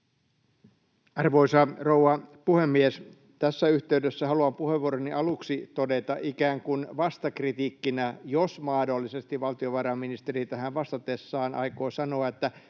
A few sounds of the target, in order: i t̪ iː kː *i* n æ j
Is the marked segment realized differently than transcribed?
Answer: no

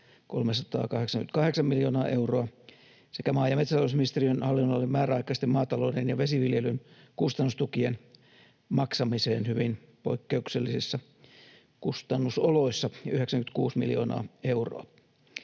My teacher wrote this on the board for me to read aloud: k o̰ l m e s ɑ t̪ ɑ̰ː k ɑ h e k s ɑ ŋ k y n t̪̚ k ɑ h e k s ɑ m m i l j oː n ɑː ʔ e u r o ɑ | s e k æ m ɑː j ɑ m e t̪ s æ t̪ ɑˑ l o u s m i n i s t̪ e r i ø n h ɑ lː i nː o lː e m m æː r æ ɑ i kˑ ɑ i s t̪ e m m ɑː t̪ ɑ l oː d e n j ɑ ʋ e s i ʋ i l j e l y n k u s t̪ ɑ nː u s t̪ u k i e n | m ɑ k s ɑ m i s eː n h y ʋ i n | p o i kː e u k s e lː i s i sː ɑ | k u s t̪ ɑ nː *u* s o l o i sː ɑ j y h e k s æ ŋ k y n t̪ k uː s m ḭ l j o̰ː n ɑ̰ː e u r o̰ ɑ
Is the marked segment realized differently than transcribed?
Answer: no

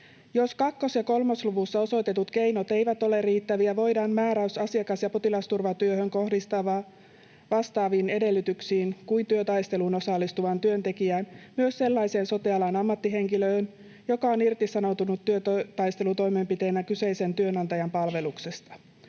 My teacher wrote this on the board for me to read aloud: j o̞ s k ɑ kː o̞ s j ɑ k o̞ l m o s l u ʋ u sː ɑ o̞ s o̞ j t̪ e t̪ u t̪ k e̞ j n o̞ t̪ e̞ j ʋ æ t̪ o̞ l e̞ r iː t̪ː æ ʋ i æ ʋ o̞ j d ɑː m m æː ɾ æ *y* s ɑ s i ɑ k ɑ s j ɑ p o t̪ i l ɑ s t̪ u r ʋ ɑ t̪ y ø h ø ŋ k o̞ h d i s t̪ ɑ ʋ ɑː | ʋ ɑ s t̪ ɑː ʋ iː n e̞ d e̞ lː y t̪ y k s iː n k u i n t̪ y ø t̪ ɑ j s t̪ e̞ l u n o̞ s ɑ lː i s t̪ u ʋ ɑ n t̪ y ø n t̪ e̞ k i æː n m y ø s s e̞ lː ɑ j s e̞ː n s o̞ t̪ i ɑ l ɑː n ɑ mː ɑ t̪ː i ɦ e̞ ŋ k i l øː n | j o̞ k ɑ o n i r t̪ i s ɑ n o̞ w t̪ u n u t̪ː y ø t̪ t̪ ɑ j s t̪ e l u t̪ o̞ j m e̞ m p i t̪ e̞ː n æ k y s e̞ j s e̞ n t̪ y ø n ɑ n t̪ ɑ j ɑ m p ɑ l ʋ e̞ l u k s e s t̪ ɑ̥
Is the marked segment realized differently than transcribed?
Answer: no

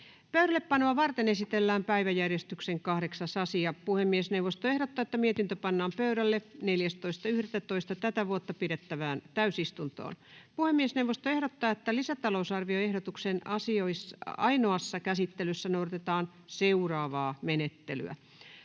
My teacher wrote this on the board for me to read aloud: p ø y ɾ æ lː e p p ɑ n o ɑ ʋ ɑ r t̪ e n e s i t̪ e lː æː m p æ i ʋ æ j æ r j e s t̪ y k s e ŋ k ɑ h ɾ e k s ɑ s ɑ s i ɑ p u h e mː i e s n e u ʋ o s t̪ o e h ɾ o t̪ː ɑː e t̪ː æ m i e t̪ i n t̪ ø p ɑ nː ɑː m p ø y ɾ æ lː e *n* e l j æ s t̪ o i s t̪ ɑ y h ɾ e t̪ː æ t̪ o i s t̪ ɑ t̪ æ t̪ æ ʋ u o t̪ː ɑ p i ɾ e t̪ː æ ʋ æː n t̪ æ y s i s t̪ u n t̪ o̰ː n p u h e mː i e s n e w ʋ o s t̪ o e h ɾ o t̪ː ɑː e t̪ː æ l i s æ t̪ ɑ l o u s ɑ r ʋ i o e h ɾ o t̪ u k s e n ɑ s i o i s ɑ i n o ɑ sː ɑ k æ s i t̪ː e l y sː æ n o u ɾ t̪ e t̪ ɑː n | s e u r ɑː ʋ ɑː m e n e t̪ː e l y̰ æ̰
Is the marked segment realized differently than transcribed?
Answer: no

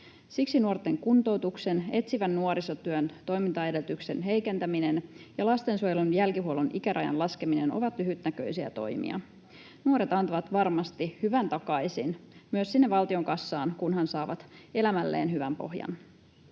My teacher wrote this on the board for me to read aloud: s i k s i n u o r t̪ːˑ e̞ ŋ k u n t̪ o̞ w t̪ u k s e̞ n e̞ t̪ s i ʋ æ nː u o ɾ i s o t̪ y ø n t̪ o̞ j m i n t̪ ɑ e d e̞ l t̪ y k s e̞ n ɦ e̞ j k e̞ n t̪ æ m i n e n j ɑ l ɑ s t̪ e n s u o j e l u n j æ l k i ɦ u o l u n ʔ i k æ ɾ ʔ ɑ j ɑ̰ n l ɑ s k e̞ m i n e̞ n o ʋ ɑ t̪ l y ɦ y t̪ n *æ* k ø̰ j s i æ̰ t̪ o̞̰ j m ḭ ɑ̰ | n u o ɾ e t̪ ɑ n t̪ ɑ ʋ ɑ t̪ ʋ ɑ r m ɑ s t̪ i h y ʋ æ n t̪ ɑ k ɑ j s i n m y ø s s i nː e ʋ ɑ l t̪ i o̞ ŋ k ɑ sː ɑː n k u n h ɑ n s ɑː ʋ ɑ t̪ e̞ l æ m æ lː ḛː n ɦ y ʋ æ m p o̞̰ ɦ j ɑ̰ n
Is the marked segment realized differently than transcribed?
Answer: no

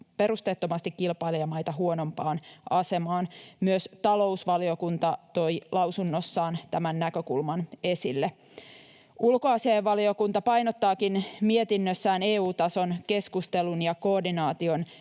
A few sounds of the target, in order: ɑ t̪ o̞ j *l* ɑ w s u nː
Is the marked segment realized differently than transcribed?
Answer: no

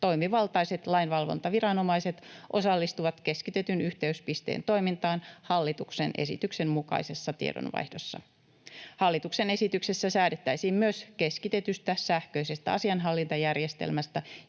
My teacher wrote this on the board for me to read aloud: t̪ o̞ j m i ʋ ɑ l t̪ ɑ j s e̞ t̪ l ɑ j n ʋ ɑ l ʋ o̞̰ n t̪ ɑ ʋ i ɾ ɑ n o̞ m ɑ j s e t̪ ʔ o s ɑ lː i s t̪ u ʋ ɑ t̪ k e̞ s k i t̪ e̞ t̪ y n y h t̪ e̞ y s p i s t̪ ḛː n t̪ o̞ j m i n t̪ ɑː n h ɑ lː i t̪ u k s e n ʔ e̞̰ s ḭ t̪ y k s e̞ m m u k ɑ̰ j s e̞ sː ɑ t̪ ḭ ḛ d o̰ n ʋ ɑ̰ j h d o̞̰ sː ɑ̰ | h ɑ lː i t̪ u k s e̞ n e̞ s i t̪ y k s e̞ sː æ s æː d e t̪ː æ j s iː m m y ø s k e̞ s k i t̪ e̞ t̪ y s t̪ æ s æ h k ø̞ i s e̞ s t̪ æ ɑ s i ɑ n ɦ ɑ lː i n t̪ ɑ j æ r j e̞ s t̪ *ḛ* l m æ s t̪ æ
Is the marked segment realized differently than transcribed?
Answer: no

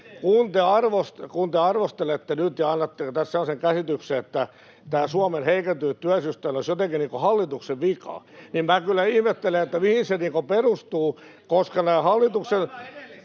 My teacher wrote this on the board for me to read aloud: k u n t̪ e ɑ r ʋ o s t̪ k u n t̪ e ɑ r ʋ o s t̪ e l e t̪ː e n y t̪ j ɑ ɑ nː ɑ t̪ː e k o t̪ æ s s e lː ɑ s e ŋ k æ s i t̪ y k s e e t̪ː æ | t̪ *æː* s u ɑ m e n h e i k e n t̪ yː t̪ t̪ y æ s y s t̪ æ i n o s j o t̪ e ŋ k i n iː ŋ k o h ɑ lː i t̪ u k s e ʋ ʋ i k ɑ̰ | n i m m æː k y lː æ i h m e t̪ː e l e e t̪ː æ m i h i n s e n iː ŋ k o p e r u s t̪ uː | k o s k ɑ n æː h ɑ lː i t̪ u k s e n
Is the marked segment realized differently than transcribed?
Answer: no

